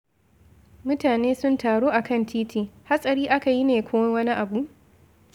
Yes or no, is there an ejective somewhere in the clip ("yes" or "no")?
yes